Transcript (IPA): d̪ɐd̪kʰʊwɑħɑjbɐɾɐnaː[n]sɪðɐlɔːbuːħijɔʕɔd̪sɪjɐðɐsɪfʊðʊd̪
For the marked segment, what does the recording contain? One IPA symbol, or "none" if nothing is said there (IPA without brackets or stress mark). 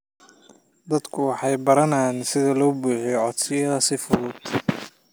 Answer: n